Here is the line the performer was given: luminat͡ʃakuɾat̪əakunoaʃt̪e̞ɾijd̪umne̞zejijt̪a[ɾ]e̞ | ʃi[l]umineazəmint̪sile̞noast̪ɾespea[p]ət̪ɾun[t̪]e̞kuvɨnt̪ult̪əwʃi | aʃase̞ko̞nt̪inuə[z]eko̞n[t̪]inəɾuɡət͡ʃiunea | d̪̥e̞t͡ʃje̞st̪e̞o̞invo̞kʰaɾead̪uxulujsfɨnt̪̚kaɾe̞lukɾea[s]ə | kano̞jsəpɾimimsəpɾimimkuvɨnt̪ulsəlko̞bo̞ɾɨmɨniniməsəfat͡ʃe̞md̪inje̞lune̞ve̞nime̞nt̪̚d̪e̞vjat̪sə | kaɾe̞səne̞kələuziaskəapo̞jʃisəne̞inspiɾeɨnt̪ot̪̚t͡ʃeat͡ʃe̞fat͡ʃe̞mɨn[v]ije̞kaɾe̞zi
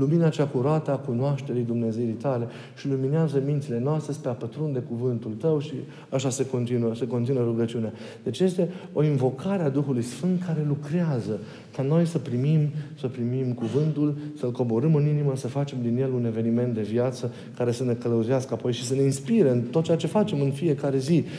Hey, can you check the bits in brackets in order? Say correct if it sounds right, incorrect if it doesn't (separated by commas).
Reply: incorrect, correct, correct, incorrect, incorrect, correct, incorrect, incorrect